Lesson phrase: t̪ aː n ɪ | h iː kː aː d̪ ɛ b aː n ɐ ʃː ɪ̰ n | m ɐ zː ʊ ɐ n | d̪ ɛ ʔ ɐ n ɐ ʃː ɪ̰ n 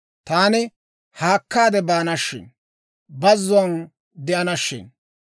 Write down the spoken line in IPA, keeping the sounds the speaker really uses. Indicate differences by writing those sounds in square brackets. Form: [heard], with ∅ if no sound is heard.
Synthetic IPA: t̪ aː n ɪ | h [aː] kː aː d̪ ɛ b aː n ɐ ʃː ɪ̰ n | [b] ɐ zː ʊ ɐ n | d̪ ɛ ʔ ɐ n ɐ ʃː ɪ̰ n